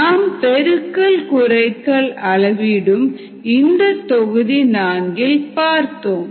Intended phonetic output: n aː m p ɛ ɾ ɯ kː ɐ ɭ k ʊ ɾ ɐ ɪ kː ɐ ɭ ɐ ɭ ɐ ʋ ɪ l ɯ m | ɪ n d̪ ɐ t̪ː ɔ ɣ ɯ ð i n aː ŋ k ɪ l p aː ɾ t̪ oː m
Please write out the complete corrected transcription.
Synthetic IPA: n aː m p ɛ ɾ ɯ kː ɐ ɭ k ʊ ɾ ɐ ɪ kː ɐ ɭ ɐ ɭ ɐ ʋ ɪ ɽ ɯ m | ɪ n d̪ ɐ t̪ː ɔ ɣ ɯ ð i n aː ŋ ɡ ɪ l p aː ɾ t̪ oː m